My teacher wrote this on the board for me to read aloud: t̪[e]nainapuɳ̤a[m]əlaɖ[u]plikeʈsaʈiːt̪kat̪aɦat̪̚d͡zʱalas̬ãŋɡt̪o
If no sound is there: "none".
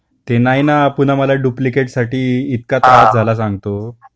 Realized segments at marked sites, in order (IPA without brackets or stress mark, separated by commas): e, m, u